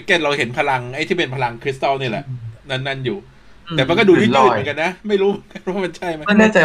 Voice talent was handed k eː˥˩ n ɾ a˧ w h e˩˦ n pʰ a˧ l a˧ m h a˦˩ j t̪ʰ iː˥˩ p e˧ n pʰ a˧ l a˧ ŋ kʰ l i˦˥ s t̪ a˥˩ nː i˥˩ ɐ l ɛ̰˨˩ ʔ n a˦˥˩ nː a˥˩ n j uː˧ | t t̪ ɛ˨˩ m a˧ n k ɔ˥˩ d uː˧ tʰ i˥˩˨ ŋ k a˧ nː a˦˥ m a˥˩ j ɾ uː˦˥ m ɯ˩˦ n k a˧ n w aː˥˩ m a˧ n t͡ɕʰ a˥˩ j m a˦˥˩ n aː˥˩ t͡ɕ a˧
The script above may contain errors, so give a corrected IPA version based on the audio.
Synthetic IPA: k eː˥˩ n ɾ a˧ w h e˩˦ n pʰ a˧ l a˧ ŋ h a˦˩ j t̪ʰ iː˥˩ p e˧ n pʰ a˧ l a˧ ŋ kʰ ɾ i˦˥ s t̪ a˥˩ n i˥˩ ɐ l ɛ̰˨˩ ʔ n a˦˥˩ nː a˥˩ n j uː˨˩ | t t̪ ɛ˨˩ m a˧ n k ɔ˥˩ d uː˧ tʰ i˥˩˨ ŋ k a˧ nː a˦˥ m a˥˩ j ɾ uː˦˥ m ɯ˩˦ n k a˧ n w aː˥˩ m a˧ n t͡ɕʰ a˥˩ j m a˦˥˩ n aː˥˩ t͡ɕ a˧